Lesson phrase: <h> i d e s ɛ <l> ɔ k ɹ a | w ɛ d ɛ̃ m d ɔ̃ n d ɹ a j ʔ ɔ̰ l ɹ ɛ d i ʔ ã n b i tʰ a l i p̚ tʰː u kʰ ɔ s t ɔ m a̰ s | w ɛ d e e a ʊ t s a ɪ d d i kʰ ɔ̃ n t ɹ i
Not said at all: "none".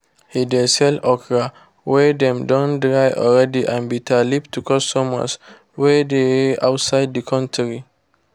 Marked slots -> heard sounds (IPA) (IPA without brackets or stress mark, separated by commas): h, l